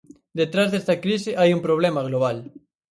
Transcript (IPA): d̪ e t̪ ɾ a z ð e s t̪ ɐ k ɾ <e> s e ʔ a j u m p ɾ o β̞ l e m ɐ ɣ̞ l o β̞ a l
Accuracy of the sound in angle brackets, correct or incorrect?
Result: incorrect